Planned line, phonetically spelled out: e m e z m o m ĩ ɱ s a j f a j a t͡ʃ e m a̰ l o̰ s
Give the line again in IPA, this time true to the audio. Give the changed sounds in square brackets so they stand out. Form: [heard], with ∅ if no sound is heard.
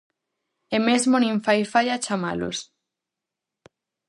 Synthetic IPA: e m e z m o [n] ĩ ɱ [f] a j f a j a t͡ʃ [a] m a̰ l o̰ s